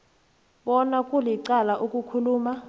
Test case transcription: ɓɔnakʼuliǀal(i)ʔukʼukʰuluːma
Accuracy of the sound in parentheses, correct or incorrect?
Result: incorrect